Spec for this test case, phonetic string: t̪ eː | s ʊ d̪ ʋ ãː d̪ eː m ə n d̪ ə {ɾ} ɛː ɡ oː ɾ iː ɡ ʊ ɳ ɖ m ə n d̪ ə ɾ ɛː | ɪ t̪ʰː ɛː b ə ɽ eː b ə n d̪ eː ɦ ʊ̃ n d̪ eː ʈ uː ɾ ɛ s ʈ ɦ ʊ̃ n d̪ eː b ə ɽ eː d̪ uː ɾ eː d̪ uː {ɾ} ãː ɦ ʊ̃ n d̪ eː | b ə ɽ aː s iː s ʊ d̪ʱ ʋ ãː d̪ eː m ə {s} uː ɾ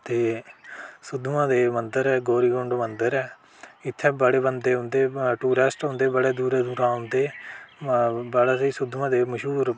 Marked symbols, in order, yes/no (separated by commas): yes, yes, no